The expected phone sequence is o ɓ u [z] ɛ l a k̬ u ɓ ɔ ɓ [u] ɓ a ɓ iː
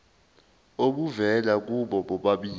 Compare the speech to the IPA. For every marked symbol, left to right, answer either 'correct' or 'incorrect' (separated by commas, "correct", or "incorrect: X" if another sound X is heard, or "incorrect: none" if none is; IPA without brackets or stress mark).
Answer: incorrect: v, incorrect: ɔ